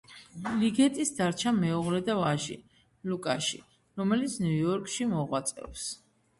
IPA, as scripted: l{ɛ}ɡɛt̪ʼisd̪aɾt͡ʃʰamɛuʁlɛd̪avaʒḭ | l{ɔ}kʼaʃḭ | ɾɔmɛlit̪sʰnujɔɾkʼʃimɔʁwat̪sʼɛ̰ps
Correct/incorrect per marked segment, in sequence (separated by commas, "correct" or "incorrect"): incorrect, incorrect